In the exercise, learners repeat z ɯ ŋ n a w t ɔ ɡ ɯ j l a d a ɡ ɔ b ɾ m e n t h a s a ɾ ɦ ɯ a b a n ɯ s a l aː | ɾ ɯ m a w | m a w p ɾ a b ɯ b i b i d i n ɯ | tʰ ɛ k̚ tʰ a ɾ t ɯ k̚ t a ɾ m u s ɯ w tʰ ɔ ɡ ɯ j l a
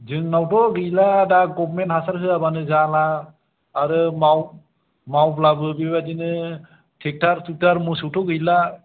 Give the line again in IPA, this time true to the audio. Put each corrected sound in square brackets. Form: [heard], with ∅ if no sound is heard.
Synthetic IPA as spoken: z ɯ ŋ n a w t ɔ ɡ ɯ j l a d a ɡ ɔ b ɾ m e n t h a s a ɾ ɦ ɯ a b a n ɯ [z] a l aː | ɾ ɯ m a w | m a w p [l] a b ɯ b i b [a] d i n ɯ | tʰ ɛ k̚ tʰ a ɾ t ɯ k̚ t a ɾ m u s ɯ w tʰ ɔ ɡ ɯ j l a

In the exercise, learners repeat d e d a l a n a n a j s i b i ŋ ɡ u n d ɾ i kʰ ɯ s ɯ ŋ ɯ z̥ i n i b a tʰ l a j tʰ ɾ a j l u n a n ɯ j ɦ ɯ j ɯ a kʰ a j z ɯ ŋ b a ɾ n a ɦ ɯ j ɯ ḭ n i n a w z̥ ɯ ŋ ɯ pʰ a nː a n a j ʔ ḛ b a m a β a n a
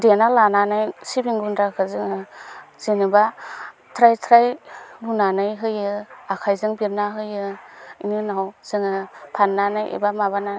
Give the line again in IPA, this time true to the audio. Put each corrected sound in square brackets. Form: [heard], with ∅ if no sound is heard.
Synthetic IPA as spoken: d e [n] a l a n a n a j s i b i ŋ ɡ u n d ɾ [a] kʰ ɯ [z] ɯ ŋ ɯ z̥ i n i b a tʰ [ɾ] a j tʰ ɾ a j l u n a n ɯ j ɦ ɯ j ɯ a kʰ a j z ɯ ŋ b [i] ɾ n a ɦ ɯ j ɯ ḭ n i n a w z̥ ɯ ŋ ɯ pʰ a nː a n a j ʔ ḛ b a m a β a n a

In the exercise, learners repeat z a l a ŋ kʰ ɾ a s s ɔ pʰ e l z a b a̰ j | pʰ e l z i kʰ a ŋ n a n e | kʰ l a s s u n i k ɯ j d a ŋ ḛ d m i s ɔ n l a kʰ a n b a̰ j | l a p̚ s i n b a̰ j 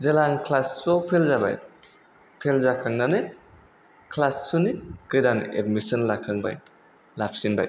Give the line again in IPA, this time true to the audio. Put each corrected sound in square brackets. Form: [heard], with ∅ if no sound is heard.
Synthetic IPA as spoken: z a l a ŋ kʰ [l] a s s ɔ pʰ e l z a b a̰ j | pʰ e l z [a] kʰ a ŋ n a n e | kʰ l a s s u n i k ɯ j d a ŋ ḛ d m i s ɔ n l a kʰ a [ŋ] b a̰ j | l a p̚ s i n b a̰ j

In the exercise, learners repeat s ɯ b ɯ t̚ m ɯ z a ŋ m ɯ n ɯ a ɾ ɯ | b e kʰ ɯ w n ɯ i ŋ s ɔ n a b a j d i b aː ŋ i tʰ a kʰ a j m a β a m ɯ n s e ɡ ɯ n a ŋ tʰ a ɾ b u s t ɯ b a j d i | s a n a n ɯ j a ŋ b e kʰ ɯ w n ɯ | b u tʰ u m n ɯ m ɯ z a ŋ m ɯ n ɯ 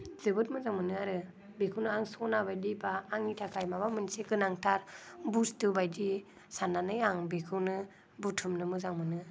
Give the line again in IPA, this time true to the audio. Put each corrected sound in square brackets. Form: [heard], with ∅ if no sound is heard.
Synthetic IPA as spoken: [z] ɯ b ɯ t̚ m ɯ z a ŋ m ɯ n ɯ a ɾ ɯ | b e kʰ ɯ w n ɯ [a] ŋ s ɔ n a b a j d i b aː ŋ i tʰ a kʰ a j m a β a m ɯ n s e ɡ ɯ n a ŋ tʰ a ɾ b u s t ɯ b a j d i | s a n a n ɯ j a ŋ b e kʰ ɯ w n ɯ | b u tʰ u m n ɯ m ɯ z a ŋ m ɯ n ɯ

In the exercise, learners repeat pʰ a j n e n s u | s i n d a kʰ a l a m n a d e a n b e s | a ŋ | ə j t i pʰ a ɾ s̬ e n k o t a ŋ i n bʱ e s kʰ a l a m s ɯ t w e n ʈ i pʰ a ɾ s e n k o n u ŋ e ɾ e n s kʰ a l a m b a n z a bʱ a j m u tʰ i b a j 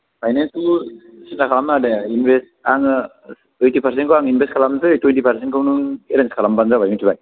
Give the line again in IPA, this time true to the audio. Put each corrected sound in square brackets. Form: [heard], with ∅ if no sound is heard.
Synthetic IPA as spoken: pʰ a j n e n s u | s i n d a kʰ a l a m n a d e [i] n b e s | a ŋ | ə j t i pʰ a ɾ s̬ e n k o [∅] a ŋ i n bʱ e s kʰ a l a m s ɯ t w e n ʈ i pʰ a ɾ s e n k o n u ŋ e ɾ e n s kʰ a l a m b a n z a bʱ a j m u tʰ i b a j

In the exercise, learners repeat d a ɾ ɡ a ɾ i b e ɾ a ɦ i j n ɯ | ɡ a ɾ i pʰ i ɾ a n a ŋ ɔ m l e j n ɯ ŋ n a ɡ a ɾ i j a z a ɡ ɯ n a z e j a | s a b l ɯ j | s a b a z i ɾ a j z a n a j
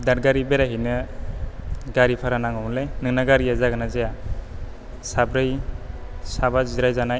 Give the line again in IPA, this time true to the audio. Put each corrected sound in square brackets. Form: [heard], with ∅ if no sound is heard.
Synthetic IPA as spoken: d a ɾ ɡ a ɾ i b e ɾ a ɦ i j n ɯ | ɡ a ɾ i pʰ [a] ɾ a n a ŋ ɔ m l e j n ɯ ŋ n a ɡ a ɾ i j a z a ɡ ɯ n a z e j a | s a b [ɾ] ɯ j | s a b a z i ɾ a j z a n a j

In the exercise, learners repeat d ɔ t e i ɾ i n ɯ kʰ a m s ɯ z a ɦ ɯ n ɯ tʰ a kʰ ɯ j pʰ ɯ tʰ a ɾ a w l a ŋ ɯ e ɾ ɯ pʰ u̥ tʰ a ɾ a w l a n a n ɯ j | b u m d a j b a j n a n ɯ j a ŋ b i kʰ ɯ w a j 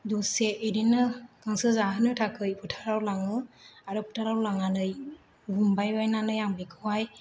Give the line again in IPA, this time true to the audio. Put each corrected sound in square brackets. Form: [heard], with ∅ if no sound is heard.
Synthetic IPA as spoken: d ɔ [s] e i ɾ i n ɯ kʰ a [ŋ] s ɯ z a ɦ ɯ n ɯ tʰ a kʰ ɯ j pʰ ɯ tʰ a ɾ a w l a ŋ ɯ [a] ɾ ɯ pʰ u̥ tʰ a ɾ a w l a [ŋ] a n ɯ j | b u m [b] a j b a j n a n ɯ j a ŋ b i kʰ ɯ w a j

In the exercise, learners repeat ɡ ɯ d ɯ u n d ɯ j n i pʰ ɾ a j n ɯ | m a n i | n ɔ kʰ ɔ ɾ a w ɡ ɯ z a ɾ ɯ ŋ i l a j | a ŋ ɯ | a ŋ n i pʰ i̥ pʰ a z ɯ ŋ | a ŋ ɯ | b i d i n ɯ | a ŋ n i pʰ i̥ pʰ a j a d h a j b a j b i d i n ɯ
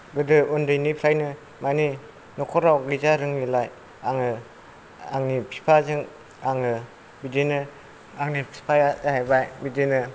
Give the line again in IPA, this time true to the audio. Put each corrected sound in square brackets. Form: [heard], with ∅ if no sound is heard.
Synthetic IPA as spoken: ɡ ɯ d ɯ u n d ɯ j n i pʰ ɾ a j n ɯ | m a n i | n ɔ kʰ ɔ ɾ a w ɡ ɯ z a ɾ ɯ ŋ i l a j | a ŋ ɯ | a ŋ n i pʰ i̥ pʰ a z ɯ ŋ | a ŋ ɯ | b i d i n ɯ | a ŋ n i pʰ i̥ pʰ a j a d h a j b a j b i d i n ɯ

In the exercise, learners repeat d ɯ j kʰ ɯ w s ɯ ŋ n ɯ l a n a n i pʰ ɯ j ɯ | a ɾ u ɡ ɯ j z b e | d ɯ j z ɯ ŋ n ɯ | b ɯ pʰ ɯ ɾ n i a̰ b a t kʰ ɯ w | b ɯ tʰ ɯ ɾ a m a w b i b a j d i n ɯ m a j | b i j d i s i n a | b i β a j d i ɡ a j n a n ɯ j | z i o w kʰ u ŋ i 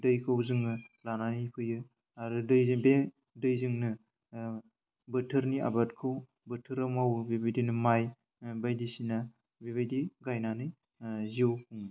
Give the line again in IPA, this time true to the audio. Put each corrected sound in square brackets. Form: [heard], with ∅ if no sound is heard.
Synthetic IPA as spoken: d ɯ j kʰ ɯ w [z] ɯ ŋ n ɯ l a n a n i pʰ ɯ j ɯ | a ɾ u [d] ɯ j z b e | d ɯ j z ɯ ŋ n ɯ | b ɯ [tʰ] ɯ ɾ n i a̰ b a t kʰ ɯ w | b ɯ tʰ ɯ ɾ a m a w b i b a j d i n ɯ m a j | b [a] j d i s i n a | b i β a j d i ɡ a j n a n ɯ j | z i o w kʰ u ŋ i

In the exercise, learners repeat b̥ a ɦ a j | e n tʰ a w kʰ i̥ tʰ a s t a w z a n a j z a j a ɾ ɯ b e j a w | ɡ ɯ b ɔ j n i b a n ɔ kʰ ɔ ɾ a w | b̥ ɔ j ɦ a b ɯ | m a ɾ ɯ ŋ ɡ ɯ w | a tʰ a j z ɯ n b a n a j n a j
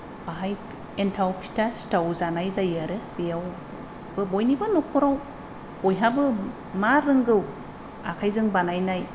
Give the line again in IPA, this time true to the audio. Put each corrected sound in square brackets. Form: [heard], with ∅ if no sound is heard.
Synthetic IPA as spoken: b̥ a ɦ a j | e n tʰ a w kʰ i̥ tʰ a s t a w z a n a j z a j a ɾ ɯ b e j a w | [b] ɯ b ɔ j n i b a n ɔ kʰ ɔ ɾ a w | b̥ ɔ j ɦ a b ɯ | m a ɾ ɯ ŋ ɡ ɯ w | a [kʰ] a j z ɯ [ŋ] b a n a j n a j

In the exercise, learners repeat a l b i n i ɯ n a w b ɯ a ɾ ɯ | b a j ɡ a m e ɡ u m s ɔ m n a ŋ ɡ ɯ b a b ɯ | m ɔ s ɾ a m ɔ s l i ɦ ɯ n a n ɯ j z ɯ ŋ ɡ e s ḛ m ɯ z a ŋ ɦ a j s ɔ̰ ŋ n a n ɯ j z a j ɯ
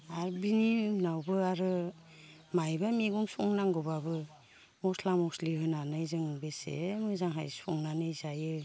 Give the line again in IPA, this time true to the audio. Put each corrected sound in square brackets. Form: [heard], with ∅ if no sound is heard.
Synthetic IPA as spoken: a [ɾ] b i n i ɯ n a w b ɯ a ɾ ɯ | [m] a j [b] a m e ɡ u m s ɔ [ŋ] n a ŋ ɡ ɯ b a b ɯ | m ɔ s [l] a m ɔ s l i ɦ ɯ n a n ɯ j z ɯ ŋ [b] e s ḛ m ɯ z a ŋ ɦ a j s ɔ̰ ŋ n a n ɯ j z a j ɯ

